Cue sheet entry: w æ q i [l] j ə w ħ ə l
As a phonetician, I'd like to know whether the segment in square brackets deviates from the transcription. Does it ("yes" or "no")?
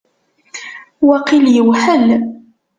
no